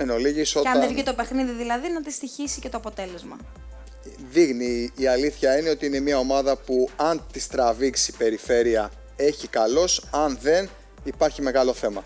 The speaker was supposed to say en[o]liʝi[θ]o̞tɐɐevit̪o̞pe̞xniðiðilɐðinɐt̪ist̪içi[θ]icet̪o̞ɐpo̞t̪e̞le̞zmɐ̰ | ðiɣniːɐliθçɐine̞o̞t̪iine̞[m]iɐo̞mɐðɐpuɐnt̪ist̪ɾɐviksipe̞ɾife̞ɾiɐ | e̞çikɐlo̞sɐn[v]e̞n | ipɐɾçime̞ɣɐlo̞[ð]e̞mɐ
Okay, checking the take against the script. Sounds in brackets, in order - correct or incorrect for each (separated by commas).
correct, incorrect, incorrect, correct, incorrect, incorrect